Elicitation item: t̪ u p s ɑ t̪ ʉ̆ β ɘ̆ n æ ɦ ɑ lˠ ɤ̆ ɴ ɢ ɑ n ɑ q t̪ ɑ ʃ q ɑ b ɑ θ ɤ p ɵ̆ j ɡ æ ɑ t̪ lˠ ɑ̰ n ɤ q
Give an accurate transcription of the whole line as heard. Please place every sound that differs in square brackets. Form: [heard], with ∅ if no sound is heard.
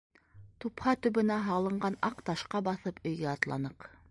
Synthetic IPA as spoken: t̪ u p [h] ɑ t̪ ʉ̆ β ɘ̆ n æ ɦ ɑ lˠ ɤ̆ ɴ ɢ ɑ n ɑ q t̪ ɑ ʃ q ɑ b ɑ θ ɤ p ɵ̆ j ɡ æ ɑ t̪ lˠ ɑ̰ n ɤ q